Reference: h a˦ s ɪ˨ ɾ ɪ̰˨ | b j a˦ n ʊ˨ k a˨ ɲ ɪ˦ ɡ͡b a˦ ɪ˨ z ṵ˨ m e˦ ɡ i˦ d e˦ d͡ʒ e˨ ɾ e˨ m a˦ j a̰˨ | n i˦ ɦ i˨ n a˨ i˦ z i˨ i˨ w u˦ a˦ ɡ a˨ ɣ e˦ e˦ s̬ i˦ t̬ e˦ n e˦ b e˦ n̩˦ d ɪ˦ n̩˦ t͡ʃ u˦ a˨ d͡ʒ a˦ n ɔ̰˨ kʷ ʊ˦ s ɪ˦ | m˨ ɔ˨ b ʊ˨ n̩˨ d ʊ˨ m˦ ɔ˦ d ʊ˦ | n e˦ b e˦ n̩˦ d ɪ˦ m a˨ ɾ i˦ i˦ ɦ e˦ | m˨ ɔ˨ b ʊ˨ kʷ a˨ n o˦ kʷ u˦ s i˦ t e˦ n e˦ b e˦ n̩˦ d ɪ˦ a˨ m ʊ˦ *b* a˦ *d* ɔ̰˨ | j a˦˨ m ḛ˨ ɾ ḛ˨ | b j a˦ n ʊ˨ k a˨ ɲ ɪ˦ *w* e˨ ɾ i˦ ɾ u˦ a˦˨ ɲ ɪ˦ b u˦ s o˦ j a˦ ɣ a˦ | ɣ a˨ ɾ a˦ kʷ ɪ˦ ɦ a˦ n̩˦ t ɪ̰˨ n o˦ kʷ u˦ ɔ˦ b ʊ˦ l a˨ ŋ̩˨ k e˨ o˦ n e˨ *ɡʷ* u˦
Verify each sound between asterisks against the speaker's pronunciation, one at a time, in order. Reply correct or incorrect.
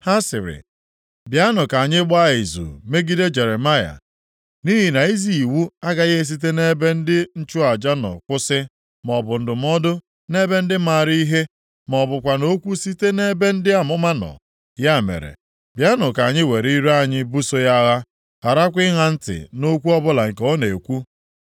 incorrect, incorrect, correct, incorrect

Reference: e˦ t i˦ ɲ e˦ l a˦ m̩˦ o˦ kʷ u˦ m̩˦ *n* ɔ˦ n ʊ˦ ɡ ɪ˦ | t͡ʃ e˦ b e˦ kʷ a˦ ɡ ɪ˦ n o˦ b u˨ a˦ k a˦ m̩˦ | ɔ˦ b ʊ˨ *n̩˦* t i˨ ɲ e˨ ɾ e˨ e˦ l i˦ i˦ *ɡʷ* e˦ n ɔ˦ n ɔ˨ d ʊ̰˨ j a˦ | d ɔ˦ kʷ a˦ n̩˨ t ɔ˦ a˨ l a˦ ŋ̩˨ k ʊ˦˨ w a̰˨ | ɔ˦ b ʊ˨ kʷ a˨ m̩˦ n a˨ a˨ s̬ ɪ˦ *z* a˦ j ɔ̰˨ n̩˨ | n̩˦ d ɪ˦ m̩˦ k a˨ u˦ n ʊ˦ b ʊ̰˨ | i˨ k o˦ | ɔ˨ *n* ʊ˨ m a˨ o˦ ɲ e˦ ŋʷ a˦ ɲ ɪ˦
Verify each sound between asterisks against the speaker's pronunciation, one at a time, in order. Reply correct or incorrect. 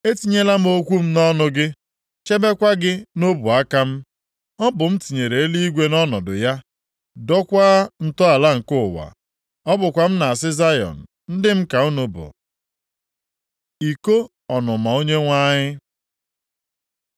correct, incorrect, correct, correct, correct

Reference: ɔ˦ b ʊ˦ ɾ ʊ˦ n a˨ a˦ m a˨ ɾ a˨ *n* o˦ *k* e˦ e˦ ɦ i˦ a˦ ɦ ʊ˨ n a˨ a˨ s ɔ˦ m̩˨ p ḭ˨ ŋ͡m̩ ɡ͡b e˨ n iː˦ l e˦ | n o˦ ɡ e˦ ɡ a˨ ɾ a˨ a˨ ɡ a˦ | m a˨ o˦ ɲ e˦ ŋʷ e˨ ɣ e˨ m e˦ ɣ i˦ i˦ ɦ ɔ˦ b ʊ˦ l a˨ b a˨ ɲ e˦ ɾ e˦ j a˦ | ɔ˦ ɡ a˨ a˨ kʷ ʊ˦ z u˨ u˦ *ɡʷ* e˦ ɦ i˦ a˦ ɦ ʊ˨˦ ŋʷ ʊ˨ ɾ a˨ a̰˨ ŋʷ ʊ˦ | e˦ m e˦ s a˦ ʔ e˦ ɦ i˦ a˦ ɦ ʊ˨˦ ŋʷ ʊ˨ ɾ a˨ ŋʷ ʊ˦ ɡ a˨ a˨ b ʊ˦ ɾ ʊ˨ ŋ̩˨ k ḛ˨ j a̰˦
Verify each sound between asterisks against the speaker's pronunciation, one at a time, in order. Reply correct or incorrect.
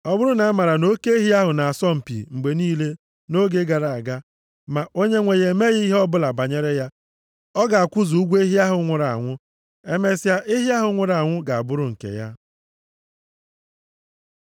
correct, correct, correct

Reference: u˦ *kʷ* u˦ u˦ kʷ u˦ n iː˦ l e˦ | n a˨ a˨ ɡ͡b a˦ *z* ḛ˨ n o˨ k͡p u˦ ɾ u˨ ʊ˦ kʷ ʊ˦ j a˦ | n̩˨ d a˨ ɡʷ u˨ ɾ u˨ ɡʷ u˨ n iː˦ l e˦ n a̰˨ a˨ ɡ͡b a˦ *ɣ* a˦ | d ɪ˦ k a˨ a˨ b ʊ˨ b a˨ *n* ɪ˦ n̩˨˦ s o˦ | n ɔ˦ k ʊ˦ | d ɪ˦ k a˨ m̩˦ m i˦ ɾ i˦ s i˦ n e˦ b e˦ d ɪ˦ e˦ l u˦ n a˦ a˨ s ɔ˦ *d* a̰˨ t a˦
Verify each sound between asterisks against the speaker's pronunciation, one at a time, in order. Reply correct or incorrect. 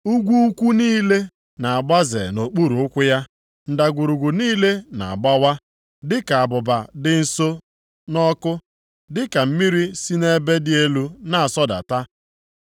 incorrect, correct, incorrect, incorrect, correct

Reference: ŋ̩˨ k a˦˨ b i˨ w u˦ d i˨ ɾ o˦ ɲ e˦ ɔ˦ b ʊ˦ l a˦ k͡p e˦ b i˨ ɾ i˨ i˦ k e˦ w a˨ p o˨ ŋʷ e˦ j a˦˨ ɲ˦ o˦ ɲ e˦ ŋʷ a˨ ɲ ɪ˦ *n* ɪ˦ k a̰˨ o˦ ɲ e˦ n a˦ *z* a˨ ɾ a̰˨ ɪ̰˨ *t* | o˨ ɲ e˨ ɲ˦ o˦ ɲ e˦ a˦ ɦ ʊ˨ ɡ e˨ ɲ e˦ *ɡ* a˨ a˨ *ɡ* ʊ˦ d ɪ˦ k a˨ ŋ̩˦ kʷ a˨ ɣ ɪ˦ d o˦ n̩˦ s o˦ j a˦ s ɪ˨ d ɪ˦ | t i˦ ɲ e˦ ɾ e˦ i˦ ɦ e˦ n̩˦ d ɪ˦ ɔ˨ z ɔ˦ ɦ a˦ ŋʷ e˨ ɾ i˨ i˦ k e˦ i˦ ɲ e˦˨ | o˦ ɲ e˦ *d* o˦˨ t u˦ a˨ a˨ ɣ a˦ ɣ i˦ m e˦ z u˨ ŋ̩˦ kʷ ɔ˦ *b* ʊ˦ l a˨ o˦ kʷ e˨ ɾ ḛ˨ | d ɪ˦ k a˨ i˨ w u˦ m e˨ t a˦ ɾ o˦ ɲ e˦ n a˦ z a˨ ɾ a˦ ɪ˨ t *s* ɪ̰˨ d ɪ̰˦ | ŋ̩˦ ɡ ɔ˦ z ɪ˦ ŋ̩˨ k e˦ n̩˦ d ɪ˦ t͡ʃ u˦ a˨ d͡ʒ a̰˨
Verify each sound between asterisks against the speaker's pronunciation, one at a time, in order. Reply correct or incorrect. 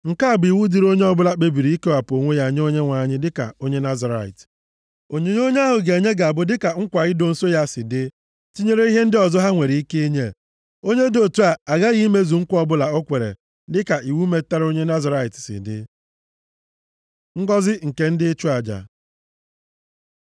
incorrect, correct, correct, correct, incorrect, correct, correct, correct

